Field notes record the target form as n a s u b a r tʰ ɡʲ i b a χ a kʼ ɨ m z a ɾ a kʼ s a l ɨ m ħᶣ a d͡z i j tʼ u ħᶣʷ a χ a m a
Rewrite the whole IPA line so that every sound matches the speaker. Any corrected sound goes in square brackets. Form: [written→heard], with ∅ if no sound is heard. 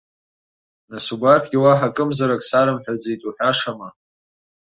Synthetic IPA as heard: n a s u b a r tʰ ɡʲ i [b→w] a [χ→ħ] a kʼ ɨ m z a ɾ a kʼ s a [l→ɾ] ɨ m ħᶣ a d͡z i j tʼ u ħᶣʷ a [χ→ʂ] a m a

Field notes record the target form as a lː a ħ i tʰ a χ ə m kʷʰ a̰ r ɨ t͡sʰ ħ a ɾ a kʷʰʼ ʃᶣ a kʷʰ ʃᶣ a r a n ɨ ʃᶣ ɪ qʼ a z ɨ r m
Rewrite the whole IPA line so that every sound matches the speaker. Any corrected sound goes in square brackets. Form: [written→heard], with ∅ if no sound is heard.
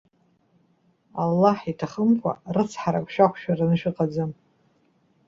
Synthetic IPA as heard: a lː a ħ i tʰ a χ ə m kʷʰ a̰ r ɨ t͡sʰ ħ a ɾ a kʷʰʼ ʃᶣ a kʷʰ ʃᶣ a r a n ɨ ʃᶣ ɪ qʼ a [z→d͡z] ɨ [r→∅] m

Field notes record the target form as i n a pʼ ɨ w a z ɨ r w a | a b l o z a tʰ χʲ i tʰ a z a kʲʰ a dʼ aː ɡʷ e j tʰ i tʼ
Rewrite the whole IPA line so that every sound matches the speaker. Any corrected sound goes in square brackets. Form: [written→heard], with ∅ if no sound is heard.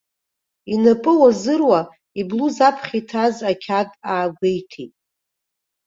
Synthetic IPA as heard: i n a pʼ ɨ w a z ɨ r w a | [a→i] b l [o→u] z a [tʰ→pʰ] χʲ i tʰ a z a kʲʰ a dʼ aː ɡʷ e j tʰ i tʼ

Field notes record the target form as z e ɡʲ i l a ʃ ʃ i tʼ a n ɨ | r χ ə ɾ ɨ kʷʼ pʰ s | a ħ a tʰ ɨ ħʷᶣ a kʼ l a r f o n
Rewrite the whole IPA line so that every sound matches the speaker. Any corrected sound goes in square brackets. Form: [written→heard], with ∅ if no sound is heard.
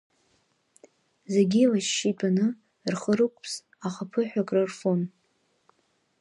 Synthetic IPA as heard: z e ɡʲ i l a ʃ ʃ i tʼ a n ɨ | r χ ə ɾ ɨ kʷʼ pʰ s | a [ħ→χ] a [tʰ→pʰ] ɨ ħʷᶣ a kʼ [l→r] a r f o n

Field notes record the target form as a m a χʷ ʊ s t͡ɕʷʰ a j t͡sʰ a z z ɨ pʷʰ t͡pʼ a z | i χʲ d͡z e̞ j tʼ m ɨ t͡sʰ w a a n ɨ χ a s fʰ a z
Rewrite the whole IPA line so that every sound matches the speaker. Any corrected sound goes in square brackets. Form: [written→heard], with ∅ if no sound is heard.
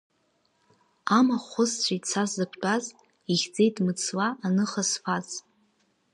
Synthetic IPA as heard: a m a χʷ ʊ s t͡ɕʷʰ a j t͡sʰ a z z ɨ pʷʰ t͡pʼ a z | i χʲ d͡z e̞ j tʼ m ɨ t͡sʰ w a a n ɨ χ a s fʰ a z

